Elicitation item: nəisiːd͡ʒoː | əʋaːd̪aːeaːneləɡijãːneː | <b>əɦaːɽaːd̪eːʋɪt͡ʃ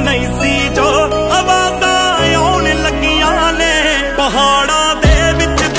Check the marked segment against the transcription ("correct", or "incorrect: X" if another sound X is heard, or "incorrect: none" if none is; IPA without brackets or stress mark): incorrect: p